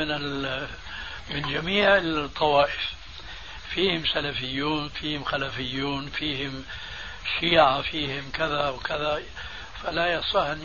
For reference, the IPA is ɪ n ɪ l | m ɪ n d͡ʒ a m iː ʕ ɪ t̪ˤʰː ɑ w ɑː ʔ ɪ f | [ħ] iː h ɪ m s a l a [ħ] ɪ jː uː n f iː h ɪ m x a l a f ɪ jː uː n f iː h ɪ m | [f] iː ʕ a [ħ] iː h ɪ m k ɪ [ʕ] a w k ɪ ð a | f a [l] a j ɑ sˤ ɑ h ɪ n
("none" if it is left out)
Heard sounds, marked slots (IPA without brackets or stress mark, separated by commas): f, f, ʃ, f, ð, l